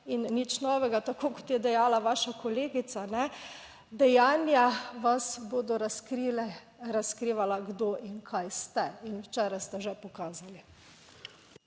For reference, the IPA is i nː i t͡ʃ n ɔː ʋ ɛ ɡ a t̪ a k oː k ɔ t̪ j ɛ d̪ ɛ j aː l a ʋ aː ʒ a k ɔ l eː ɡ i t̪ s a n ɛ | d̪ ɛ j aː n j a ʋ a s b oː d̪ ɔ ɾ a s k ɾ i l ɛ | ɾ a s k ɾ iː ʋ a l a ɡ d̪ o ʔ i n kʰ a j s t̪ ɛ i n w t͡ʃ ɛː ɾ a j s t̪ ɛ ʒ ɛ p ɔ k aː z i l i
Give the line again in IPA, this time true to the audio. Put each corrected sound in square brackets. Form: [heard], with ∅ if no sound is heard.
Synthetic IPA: i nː i t͡ʃ n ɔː ʋ ɛ ɡ a t̪ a k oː k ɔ t̪ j ɛ d̪ ɛ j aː l a ʋ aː [ʃ] a k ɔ l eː ɡ i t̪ s a n ɛ | d̪ ɛ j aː n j a ʋ a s b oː d̪ ɔ ɾ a s k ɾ i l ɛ | ɾ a s k ɾ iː ʋ a l a ɡ d̪ o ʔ i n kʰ a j s t̪ ɛ i n w t͡ʃ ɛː ɾ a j s t̪ ɛ ʒ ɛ p ɔ k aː z [a] l i